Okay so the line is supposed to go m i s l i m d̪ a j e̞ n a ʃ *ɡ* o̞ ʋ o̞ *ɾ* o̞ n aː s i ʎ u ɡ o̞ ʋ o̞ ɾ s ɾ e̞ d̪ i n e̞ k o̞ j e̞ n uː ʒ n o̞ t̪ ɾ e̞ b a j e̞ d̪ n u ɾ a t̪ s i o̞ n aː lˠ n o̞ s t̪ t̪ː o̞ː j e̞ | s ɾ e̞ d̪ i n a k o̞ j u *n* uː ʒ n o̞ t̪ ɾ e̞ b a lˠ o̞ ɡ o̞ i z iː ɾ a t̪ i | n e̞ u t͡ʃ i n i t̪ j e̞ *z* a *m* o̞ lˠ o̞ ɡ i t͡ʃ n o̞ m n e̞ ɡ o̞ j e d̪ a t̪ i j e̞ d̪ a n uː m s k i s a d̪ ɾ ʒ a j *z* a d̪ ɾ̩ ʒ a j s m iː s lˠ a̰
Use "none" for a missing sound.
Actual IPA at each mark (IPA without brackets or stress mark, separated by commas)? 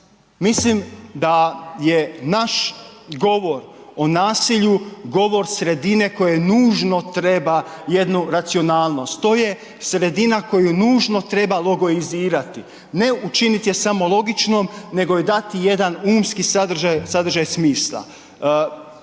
ɡ, ɾ, n, s, m, s